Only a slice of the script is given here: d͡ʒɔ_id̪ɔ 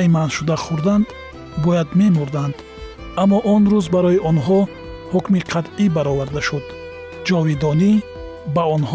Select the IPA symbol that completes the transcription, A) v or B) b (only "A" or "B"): A